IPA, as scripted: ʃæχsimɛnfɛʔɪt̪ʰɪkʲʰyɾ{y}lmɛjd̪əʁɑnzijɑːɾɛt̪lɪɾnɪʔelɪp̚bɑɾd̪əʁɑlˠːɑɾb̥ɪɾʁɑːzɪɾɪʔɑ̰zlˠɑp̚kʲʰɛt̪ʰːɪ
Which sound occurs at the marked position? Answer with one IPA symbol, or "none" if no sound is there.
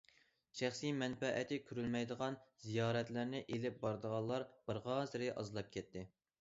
y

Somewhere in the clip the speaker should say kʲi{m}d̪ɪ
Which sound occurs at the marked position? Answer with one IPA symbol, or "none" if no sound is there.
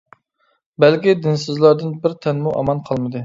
none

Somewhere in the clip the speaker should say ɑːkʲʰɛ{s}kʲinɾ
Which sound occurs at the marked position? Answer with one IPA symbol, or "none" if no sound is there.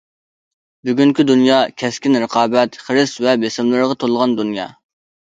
s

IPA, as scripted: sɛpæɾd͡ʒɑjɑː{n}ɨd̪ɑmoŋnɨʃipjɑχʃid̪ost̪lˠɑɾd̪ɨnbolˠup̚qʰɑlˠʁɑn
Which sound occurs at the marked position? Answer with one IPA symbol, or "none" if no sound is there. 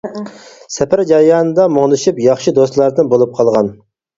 n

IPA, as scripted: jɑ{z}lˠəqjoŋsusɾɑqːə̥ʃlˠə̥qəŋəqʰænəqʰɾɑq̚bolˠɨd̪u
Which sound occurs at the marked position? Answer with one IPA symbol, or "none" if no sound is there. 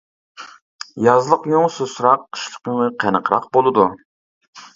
z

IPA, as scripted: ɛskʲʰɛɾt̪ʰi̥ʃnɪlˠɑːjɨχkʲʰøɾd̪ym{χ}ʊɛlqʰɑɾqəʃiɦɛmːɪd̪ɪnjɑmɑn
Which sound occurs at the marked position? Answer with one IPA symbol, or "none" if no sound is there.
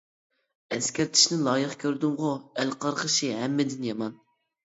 ʁ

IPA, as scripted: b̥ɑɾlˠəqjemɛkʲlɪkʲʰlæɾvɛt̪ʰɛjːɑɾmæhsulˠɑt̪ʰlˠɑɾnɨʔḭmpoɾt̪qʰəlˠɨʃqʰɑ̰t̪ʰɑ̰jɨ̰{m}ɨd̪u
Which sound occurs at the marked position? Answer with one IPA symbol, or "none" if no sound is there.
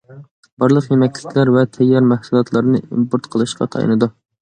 n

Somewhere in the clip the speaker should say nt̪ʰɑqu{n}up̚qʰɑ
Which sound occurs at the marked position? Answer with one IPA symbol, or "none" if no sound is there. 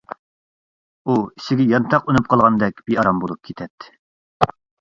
n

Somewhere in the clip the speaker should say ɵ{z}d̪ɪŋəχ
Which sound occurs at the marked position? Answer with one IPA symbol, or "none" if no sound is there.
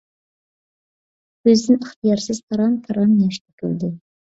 z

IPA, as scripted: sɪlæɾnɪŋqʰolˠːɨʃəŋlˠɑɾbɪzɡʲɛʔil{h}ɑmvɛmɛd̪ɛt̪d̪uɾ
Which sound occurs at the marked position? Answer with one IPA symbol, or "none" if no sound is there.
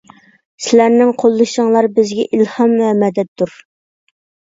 h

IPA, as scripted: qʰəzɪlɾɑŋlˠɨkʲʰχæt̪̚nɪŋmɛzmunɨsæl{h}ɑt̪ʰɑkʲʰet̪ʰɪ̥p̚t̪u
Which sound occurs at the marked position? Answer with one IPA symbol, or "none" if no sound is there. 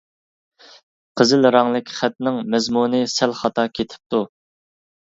χ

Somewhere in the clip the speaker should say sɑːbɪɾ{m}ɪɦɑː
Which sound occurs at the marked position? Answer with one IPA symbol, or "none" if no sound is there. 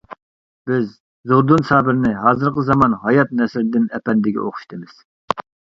n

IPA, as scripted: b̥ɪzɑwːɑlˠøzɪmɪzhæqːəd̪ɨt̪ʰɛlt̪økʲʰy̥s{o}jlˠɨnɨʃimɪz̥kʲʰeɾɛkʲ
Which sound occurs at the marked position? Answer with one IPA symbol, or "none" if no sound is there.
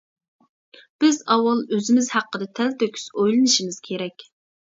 o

